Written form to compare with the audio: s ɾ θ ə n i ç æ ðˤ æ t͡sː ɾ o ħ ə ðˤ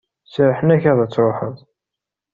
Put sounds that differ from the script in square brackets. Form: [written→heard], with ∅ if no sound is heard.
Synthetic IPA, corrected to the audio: s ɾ [θ→ħ] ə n [i→æ] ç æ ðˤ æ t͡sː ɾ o ħ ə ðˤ